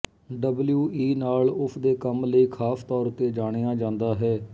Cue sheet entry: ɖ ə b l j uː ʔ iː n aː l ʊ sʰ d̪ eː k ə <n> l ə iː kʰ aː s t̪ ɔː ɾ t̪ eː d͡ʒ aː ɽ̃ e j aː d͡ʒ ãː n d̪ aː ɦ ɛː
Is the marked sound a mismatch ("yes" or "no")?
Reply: yes